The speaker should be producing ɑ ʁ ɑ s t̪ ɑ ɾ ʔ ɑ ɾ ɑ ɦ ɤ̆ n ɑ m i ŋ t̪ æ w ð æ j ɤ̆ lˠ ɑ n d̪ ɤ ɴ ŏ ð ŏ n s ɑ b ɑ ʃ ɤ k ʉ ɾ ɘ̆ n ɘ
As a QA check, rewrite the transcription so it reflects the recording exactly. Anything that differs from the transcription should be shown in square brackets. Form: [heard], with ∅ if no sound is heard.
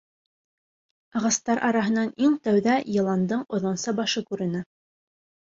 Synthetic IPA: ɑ ʁ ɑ s t̪ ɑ ɾ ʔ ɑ ɾ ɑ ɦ ɤ̆ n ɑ [n] i ŋ t̪ æ w ð æ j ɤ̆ lˠ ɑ n d̪ ɤ ɴ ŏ ð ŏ n s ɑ b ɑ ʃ ɤ k ʉ ɾ ɘ̆ n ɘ